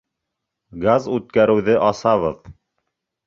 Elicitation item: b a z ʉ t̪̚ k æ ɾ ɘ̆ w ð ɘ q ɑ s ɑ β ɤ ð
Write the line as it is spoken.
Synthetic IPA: ɡ a z ʉ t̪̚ k æ ɾ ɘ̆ w ð ɘ ʔ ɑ s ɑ β ɤ ð